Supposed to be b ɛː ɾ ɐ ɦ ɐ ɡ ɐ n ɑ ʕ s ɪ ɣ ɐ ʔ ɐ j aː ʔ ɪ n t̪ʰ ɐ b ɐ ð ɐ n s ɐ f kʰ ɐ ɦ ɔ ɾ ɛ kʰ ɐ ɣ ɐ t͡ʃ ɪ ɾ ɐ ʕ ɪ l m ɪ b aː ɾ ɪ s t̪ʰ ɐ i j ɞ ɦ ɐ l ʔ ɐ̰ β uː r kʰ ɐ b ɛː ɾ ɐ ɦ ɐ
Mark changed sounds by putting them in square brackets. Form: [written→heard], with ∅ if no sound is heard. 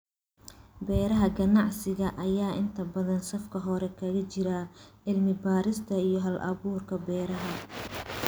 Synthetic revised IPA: b ɛː ɾ ɐ ɦ ɐ ɡ ɐ n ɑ ʕ s ɪ ɣ ɐ ʔ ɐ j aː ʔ ɪ n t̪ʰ ɐ b ɐ ð ɐ n s ɐ f kʰ ɐ ɦ ɔ ɾ ɛ kʰ ɐ ɣ ɐ t͡ʃ ɪ ɾ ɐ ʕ ɪ l m ɪ b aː ɾ ɪ s t̪ʰ ɐ i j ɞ ɦ ɐ l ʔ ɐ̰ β uː r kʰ ɐ b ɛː ɾ ɐ ɦ ɐ

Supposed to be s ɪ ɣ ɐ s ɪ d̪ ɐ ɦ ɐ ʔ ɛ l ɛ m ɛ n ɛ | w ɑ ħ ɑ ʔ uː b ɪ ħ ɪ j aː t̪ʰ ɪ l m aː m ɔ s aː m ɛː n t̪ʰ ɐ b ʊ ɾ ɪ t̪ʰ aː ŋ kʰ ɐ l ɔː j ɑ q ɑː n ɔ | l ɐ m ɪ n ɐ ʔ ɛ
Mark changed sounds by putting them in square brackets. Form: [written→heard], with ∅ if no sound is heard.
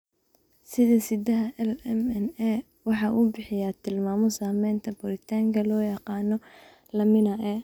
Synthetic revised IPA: s ɪ [ɣ→ð] ɐ s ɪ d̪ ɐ ɦ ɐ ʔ ɛ l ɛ m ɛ n ɛ | w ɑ ħ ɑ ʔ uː b ɪ ħ ɪ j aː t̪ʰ ɪ l m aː m ɔ s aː m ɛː n t̪ʰ ɐ b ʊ ɾ ɪ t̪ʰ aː ŋ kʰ ɐ l ɔː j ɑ q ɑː n ɔ | l ɐ m ɪ n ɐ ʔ ɛ

